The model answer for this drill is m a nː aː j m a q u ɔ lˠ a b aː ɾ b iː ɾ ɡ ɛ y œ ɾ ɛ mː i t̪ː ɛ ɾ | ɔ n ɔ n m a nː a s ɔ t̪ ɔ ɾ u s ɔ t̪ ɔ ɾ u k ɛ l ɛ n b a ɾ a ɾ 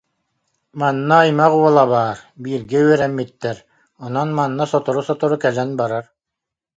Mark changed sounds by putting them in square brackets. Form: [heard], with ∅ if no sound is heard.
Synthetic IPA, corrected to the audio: m a nː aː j m a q u ɔ lˠ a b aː ɾ b iː ɾ ɡ ɛ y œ ɾ ɛ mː i t̪ː ɛ ɾ | ɔ n ɔ n m a nː a s ɔ t̪ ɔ ɾ u s ɔ t̪ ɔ ɾ u k ɛ l ɛ n b a ɾ a ɾ